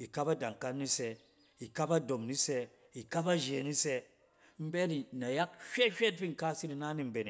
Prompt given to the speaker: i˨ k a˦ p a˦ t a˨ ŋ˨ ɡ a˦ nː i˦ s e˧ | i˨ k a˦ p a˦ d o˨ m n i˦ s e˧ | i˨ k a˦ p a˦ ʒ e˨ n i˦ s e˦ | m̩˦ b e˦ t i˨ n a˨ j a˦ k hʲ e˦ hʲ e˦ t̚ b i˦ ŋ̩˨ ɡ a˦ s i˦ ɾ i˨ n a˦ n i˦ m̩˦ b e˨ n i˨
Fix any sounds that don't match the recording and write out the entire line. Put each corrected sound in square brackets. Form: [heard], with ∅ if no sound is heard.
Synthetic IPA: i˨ k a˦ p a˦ [d] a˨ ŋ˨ [k] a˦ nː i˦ s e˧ | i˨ k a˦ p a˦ d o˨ m n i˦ s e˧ | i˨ k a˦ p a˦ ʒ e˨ n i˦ s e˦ | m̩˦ b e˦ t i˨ n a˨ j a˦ k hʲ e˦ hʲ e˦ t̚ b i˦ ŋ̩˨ [k] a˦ s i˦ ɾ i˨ n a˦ n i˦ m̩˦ b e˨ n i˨

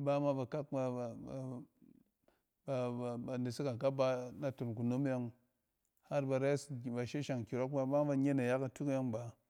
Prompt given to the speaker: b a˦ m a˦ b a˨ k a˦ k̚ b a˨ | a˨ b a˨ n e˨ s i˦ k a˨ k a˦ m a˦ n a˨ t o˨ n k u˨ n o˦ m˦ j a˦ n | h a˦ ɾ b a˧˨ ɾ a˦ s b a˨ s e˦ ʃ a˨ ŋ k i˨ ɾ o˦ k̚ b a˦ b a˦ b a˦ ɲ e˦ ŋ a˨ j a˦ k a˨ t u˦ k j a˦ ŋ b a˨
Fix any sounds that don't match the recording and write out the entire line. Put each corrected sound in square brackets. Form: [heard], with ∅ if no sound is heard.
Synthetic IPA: b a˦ m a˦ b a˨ k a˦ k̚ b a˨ | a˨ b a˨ n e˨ s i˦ k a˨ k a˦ [b] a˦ n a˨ t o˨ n k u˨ n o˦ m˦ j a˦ [ŋ] | h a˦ ɾ b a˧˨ ɾ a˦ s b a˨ [ʃ] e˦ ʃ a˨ ŋ k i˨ ɾ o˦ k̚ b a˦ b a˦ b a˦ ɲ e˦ [n] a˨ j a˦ k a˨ t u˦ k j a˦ ŋ b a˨

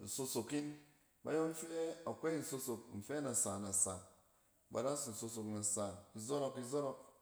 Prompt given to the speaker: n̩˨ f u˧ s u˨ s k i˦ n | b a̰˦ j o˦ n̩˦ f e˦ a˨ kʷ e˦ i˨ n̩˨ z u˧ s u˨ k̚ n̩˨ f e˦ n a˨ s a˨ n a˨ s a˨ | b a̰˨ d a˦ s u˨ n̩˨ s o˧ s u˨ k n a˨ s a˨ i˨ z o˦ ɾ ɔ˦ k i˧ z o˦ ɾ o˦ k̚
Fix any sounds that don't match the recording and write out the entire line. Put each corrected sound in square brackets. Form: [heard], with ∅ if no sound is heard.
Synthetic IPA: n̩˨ [s] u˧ s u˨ [∅] k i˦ n | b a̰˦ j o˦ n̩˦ f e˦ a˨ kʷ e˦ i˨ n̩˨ [s] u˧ s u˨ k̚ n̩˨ f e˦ n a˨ s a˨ n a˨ s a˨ | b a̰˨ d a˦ s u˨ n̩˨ s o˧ s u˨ k n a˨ s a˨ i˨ z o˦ ɾ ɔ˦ k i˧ z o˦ ɾ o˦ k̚

